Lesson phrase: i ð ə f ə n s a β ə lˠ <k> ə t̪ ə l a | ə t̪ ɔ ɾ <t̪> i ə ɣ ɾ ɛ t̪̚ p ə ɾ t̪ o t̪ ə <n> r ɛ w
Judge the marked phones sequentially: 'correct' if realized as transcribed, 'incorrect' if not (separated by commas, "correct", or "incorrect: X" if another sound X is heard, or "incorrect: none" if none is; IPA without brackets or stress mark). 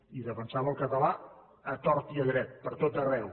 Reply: correct, correct, incorrect: none